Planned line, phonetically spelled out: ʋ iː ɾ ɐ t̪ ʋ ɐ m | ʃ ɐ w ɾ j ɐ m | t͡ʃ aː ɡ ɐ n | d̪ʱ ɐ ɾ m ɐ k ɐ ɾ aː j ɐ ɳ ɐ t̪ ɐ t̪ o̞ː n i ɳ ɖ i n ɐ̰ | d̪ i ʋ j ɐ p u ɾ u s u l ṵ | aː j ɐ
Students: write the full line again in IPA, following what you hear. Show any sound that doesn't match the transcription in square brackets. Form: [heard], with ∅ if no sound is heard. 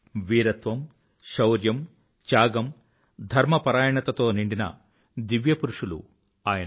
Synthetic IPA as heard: ʋ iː ɾ ɐ t̪ ʋ ɐ m | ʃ ɐ w ɾ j ɐ m | t͡ʃ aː ɡ ɐ [m] | d̪ʱ ɐ ɾ m ɐ [p] ɐ ɾ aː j ɐ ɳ ɐ t̪ ɐ t̪ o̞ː n i ɳ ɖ i n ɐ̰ | d̪ i ʋ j ɐ p u ɾ u [ʂ] u l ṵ | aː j ɐ